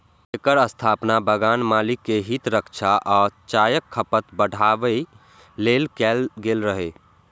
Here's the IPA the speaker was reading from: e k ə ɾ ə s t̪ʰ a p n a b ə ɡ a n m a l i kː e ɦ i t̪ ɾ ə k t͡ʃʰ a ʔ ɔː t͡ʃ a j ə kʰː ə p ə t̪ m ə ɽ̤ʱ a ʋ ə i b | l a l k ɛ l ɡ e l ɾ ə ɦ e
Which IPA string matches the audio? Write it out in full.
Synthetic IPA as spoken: e k ə ɾ ə s t̪ʰ a p n a b ə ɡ a n m a l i kː e ɦ i t̪ ɾ ə k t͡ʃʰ a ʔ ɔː t͡ʃ a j ə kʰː ə p ə t̪ b ə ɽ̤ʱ a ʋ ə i | l e l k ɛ l ɡ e l ɾ ə ɦ e

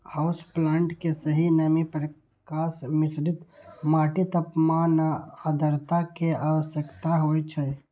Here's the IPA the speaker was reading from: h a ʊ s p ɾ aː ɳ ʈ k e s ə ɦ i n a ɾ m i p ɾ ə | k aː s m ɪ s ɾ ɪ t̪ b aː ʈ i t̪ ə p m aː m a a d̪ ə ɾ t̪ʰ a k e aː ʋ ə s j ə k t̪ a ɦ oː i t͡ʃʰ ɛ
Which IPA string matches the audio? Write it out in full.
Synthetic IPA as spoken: h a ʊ s p l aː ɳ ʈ k e s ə ɦ i n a m i p ɾ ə | k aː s m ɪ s ɾ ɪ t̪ m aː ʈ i t̪ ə p m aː n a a d̪ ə ɾ t̪ a k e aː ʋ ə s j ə k t̪ a ɦ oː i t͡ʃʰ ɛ

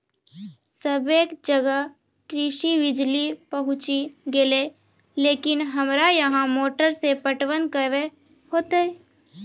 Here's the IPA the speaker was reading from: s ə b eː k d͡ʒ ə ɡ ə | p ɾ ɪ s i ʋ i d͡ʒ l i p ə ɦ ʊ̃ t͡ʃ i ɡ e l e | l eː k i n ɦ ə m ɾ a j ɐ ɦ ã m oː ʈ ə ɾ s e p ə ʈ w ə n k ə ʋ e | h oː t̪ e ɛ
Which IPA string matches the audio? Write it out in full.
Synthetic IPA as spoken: s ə b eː k d͡ʒ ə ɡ ə | k ɾ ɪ ʃ i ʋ ɪ d͡ʒ l i p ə ɦ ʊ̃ t͡ʃ i ɡ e l e | l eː k ɪ n ɦ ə m ɾ a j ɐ ɦ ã m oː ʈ ə ɾ s e p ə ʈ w ə n k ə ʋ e | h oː t̪ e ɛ

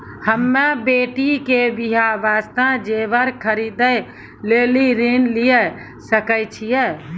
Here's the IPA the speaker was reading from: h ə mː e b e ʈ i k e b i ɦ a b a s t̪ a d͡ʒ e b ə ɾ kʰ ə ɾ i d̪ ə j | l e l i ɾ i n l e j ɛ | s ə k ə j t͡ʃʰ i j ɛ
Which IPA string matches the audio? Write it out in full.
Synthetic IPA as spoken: h ə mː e b e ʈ i k e b i ɦ a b a s t̪ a d͡ʒ e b ə ɾ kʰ ə ɾ i d̪ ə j | l e l i ɾ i n l i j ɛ | s ə k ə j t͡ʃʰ i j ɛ

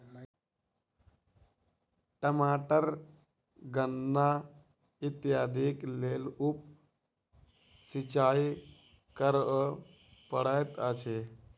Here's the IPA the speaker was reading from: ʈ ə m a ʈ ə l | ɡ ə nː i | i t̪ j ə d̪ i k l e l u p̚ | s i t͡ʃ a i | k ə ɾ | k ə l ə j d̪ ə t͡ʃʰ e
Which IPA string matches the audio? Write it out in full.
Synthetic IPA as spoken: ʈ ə m a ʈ ə ɾ | ɡ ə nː a | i t̪ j a d̪ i k l e l u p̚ | s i t͡ʃ a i | k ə ɾ | p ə ɽ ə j t̪ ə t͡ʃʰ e

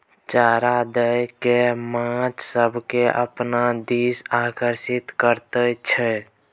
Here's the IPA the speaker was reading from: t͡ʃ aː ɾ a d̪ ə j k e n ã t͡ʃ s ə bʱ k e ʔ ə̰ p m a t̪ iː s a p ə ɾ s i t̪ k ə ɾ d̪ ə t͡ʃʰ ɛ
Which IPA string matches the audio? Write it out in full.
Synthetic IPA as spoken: t͡ʃ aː ɾ a d̪ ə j k e m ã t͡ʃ s ə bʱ k e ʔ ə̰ p n a d̪ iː s a k ə ɾ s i t̪ k ə ɾ t̪ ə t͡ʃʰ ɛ

